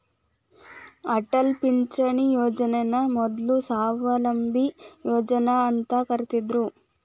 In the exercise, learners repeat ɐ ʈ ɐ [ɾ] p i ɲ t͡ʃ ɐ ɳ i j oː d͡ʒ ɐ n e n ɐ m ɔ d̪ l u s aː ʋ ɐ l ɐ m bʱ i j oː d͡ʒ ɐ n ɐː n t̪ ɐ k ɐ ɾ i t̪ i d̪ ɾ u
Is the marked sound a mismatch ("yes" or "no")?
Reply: yes